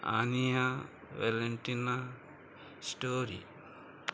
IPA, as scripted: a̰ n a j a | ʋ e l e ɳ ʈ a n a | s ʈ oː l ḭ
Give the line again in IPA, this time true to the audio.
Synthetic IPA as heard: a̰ n i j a | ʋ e l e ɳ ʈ i n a | s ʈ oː ɾ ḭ